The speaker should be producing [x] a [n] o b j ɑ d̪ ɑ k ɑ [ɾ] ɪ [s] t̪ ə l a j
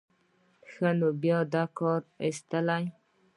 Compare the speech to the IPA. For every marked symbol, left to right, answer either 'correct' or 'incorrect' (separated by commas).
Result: correct, correct, correct, correct